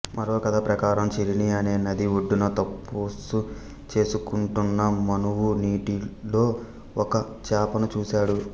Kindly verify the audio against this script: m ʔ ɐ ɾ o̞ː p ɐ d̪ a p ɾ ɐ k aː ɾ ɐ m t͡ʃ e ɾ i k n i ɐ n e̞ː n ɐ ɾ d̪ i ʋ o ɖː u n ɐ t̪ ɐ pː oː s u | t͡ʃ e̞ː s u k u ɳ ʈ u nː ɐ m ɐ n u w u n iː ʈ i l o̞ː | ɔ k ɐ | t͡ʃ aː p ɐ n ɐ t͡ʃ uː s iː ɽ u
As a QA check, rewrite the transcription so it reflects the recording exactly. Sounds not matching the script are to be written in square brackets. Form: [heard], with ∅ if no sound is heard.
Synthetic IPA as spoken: m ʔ ɐ ɾ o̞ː [k] ɐ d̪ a p ɾ ɐ k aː ɾ ɐ m t͡ʃ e ɾ i [∅] n i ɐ n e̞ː n ɐ [∅] d̪ i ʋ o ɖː u n ɐ t̪ ɐ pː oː s u | t͡ʃ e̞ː s u k u ɳ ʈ u nː ɐ m ɐ n u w u n iː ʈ i l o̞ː | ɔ k ɐ | t͡ʃ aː p ɐ n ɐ t͡ʃ uː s [aː] ɽ u